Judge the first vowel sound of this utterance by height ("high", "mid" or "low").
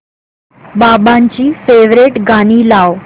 low